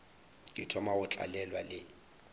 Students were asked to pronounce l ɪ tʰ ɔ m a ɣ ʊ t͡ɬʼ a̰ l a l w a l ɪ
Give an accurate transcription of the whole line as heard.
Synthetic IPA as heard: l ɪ tʰ ɔ m a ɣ ʊ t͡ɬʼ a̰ l ɛ l w a l ɪ